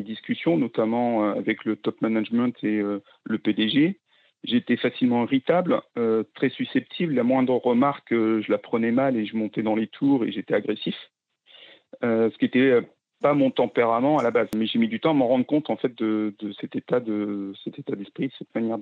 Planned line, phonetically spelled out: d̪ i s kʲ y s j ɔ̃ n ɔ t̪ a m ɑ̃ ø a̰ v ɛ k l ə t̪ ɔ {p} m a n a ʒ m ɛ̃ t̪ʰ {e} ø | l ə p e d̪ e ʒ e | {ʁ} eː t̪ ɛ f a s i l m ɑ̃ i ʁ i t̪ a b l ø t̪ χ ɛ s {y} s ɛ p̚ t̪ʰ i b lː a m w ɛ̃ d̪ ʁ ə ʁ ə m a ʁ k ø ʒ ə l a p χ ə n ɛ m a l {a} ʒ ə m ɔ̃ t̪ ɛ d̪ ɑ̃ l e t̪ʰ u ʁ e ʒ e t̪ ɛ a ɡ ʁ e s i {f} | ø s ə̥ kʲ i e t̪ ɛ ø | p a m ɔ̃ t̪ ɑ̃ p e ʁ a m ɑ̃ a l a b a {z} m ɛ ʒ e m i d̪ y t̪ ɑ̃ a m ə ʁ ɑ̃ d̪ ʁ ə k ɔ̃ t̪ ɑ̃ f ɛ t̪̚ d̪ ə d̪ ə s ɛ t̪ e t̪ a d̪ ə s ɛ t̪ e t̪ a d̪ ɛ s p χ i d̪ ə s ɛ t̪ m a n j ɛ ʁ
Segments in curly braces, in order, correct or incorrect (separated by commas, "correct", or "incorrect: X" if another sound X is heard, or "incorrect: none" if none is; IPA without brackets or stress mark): correct, correct, incorrect: ʒ, correct, incorrect: e, correct, correct